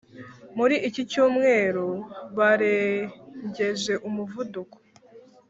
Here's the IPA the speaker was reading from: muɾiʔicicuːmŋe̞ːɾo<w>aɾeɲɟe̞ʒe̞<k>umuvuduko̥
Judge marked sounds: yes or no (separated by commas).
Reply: no, no